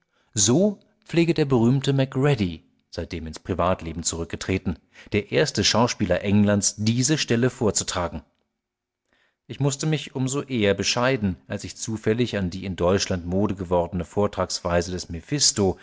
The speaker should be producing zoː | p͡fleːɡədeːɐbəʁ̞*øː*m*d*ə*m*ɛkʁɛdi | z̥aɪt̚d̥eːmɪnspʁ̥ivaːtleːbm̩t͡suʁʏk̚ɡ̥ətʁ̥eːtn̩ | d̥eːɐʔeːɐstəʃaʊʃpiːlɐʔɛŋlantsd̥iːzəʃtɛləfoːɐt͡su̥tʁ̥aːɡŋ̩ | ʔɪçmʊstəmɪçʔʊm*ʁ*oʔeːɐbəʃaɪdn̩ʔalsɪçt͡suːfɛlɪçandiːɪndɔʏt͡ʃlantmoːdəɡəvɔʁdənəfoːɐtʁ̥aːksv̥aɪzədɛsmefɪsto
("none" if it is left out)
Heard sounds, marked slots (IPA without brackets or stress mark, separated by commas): yː, t, m, z